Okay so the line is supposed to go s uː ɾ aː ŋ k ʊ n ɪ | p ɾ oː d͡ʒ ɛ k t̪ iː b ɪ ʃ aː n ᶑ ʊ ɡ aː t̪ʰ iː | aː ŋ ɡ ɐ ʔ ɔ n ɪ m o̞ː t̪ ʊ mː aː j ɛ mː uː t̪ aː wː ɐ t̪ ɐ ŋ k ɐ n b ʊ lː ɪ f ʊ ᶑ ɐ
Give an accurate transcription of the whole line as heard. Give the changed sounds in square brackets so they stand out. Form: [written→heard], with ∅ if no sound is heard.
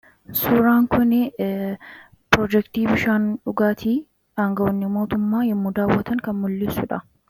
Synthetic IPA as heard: s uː ɾ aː ŋ k ʊ n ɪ | p ɾ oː d͡ʒ ɛ k t̪ iː b ɪ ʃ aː n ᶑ ʊ ɡ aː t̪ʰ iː | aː ŋ ɡ ɐ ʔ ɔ [n→nː] ɪ m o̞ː t̪ ʊ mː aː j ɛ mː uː [t̪→d̪] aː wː ɐ t̪ ɐ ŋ k ɐ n [b→m] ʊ lː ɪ [f→s] ʊ ᶑ ɐ